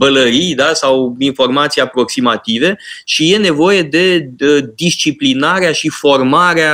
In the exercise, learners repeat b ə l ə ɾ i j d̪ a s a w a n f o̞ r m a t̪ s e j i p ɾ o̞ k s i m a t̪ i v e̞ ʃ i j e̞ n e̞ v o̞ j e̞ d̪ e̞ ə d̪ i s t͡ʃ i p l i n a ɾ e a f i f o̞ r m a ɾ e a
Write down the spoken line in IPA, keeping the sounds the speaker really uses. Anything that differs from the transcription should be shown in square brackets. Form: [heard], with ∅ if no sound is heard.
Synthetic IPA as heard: b ə l ə ɾ i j d̪ a s a w [i] n f o̞ r m a t̪ s [i] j [a] p ɾ o̞ k s i m a t̪ i v e̞ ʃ i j e̞ n e̞ v o̞ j e̞ d̪ e̞ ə d̪ i s t͡ʃ i p l i n a ɾ e a [ʃ] i f o̞ r m a ɾ e a